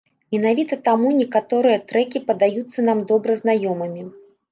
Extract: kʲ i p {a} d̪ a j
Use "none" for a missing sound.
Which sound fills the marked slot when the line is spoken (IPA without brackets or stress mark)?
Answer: ɐ